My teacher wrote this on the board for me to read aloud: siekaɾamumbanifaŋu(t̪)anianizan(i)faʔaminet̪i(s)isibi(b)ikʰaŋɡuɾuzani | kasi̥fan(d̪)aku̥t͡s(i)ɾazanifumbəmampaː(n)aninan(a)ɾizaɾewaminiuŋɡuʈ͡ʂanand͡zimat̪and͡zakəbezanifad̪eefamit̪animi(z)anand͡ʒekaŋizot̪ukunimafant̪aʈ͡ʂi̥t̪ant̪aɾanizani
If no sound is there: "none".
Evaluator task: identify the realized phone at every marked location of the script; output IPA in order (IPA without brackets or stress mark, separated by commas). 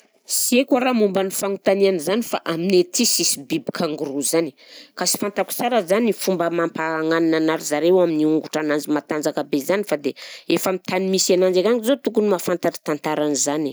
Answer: t̪, i, s, b, t̪, a, ŋ, a, s